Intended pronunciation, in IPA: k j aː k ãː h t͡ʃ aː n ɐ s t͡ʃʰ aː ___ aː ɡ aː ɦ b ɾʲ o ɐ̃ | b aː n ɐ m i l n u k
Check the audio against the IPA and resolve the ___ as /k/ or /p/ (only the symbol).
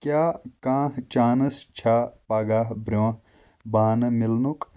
p